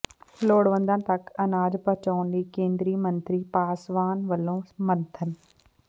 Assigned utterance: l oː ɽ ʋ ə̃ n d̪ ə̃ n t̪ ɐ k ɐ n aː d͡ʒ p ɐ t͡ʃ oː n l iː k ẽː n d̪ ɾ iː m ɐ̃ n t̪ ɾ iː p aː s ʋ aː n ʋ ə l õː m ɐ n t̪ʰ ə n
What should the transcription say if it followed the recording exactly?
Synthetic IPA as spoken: l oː ɽ ʋ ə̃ n d̪ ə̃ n t̪ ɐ k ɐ n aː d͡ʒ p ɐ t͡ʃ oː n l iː k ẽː n d̪ ɾ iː m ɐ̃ n t̪ ɾ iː p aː s ʋ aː n ʋ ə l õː m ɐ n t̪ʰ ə n